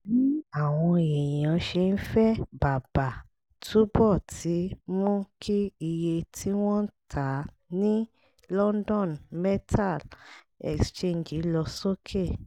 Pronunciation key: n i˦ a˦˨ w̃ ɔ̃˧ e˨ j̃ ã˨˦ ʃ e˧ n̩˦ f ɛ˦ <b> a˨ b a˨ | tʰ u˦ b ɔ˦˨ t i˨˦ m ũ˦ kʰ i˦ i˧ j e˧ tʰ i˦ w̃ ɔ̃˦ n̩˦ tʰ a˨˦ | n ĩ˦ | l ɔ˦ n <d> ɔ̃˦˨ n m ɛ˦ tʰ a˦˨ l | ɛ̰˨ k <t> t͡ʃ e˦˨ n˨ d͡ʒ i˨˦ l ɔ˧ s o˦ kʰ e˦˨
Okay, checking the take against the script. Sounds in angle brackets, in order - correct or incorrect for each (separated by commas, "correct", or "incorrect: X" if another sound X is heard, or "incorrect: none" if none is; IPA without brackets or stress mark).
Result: correct, correct, incorrect: s